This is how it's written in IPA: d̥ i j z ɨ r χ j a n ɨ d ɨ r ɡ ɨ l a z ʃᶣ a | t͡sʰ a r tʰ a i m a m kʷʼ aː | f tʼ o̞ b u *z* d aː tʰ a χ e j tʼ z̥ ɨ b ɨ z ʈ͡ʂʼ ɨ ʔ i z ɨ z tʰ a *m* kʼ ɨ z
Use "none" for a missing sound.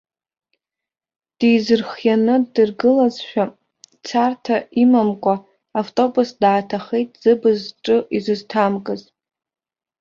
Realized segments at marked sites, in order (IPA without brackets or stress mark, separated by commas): s, m